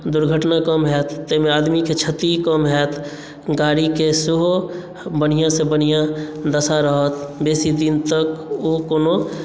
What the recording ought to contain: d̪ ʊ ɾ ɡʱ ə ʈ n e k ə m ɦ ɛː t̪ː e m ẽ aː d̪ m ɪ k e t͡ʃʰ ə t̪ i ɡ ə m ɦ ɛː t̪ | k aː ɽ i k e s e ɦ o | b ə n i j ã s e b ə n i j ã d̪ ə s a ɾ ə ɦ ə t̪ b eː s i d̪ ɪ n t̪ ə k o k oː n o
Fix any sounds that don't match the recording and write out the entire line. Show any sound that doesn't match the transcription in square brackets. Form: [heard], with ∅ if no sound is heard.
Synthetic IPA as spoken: d̪ ʊ ɾ ɡʱ ə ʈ n [a] k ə m ɦ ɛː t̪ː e m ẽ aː d̪ m [i] k e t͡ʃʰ ə t̪ i [k] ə m ɦ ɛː t̪ | [ɡ] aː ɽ i k e s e ɦ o | b ə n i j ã s e b ə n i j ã d̪ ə s a ɾ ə ɦ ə t̪ b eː s i d̪ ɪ n t̪ ə k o k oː n o